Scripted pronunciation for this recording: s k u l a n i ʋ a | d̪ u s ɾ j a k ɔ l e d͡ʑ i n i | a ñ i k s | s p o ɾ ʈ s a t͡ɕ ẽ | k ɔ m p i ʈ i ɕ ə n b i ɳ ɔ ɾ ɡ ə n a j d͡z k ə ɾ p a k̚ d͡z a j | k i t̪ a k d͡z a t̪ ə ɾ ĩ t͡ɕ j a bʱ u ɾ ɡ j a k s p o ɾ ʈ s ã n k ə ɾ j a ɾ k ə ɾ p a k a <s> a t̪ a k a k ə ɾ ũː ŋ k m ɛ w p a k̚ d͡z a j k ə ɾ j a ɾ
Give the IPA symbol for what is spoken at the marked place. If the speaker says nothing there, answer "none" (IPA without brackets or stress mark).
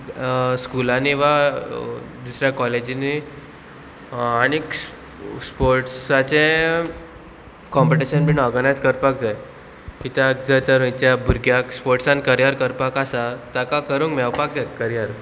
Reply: s